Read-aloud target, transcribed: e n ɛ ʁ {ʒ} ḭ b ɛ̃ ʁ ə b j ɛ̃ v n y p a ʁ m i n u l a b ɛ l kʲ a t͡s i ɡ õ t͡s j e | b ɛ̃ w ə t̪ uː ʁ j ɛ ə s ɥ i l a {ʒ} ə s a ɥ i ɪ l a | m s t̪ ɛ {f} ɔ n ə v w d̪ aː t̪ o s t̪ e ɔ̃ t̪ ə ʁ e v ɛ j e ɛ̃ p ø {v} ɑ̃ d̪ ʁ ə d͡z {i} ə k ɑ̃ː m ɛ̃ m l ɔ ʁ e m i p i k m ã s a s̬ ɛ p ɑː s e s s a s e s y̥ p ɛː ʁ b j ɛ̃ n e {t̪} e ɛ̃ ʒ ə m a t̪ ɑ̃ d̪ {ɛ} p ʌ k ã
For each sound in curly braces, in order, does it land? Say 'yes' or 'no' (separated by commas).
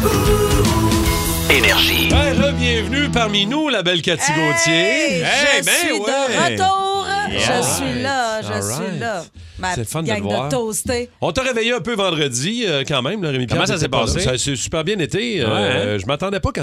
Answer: yes, yes, yes, yes, yes, yes, yes